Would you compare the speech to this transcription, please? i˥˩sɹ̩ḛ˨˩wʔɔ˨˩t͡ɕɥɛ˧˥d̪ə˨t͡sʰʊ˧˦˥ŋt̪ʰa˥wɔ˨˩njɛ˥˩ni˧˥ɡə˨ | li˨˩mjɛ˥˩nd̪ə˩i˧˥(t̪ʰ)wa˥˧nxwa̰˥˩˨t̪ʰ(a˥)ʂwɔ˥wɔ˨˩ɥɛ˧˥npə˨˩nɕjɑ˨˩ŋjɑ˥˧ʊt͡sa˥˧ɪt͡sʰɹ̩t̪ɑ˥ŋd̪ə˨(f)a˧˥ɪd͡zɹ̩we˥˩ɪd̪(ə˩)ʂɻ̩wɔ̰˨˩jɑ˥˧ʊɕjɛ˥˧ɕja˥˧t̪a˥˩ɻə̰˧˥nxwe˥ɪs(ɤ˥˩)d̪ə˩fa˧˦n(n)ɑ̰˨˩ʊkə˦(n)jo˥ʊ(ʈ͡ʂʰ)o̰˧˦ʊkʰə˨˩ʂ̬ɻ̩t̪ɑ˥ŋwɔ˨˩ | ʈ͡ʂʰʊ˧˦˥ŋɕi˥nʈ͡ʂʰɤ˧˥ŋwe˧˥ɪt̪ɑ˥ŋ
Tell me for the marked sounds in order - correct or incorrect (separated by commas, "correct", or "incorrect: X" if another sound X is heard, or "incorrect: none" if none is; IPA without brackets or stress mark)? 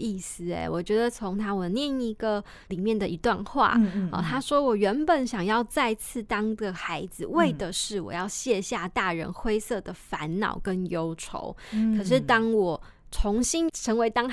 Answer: incorrect: t̪, correct, incorrect: x, correct, correct, correct, correct, correct